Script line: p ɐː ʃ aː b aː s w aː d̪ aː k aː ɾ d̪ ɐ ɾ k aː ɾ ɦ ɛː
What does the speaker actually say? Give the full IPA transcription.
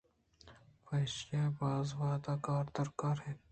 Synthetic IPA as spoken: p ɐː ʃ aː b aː z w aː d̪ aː k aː ɾ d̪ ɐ ɾ k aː ɾ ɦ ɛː

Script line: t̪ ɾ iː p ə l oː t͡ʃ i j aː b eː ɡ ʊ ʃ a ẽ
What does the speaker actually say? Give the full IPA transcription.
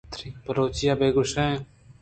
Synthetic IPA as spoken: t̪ ɾ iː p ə ɾ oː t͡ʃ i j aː b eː ɡ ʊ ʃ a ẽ

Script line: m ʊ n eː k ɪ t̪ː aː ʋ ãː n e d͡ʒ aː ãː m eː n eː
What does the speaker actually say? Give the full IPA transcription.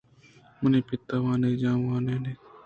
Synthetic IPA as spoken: m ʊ n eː p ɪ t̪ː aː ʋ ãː n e d͡ʒ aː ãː n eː n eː

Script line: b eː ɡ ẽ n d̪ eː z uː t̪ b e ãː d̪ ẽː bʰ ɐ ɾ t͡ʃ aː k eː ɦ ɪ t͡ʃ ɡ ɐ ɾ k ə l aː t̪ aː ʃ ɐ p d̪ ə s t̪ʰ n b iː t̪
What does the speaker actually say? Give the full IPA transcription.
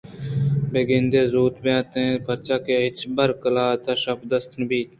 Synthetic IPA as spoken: b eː ɡ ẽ n d̪ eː z uː t̪ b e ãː t̪ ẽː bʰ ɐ ɾ t͡ʃ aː k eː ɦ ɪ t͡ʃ b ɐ ɾ k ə l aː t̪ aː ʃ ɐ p d̪ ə s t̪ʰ n b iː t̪

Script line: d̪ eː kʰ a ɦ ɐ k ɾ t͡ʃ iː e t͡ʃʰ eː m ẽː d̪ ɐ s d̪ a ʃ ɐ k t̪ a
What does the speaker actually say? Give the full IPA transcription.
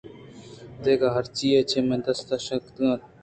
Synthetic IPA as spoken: d̪ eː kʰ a ɦ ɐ ɾ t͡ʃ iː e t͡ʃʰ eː m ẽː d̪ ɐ s t̪ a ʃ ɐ k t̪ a

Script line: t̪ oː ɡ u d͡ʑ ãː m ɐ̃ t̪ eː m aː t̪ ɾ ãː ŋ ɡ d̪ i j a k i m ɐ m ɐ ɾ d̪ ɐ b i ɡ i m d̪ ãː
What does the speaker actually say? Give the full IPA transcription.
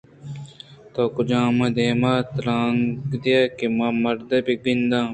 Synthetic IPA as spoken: t̪ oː k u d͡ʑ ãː m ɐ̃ d̪ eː m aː t̪ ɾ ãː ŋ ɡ d̪ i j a k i m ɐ m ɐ ɾ d̪ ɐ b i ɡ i n d̪ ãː

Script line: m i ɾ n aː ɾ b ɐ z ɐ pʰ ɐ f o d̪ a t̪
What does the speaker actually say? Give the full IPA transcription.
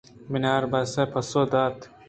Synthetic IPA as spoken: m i n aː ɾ b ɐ s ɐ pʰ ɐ s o d̪ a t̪

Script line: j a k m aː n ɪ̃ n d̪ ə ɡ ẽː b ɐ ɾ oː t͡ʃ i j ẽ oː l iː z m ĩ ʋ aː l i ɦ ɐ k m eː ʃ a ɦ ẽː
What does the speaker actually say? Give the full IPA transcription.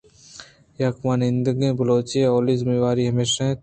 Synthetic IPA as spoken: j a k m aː n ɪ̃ n d̪ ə ɡ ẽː b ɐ l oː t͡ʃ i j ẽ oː l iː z m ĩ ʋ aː ɾ i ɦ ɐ m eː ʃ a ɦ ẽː

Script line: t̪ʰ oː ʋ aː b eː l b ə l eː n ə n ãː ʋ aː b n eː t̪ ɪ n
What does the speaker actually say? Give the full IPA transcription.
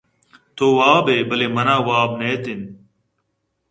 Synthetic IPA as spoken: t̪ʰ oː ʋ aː b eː b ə l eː m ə n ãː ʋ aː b n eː t̪ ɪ n

